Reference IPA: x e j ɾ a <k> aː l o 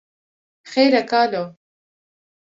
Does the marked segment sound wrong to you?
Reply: no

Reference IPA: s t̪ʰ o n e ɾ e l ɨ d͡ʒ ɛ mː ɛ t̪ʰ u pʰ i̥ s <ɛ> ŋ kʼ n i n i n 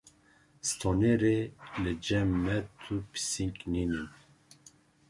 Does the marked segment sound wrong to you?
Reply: yes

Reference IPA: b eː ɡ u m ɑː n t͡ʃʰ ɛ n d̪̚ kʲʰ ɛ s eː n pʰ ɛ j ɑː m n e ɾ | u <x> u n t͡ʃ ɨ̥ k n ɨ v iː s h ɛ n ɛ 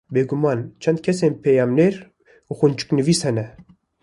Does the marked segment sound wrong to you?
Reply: no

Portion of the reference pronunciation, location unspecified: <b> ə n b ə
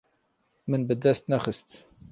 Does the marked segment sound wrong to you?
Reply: yes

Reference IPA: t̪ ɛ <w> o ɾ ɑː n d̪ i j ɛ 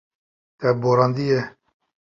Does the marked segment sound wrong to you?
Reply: yes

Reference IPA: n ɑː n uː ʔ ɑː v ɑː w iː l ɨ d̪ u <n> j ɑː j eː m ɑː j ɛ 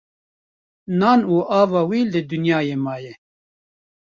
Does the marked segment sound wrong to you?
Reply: no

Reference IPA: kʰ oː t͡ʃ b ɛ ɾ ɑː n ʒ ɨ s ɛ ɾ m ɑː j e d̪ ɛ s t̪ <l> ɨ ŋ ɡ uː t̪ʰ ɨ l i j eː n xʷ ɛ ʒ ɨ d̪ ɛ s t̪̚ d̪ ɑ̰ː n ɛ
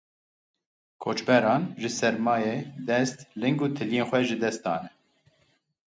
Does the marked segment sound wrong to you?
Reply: no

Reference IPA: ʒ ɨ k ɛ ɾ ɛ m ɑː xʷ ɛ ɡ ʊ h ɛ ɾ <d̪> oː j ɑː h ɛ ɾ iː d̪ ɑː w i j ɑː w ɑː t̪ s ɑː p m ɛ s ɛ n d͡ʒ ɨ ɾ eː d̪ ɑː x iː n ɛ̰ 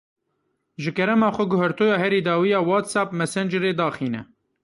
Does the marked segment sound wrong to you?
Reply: yes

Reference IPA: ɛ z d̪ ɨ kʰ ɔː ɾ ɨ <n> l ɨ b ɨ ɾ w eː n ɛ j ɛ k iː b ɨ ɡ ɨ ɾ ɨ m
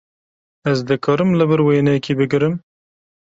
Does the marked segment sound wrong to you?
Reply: yes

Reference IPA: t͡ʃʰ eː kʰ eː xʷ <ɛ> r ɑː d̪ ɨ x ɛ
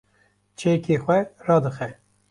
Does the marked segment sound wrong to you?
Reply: no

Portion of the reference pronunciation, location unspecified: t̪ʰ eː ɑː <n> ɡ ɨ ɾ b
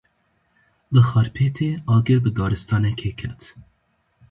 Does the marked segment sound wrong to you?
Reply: yes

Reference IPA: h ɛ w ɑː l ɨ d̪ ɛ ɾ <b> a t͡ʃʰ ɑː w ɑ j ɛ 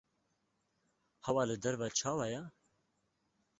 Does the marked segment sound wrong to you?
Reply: yes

